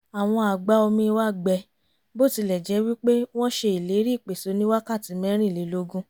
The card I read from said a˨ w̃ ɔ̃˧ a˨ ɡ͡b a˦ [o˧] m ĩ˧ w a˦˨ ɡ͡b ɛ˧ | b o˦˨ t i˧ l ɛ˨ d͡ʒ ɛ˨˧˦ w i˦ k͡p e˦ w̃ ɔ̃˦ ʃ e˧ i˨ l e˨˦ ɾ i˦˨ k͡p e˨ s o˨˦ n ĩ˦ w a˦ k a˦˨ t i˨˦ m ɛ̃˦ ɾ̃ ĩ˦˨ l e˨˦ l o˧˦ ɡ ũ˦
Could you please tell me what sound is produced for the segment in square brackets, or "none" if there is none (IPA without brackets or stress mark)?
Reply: o˧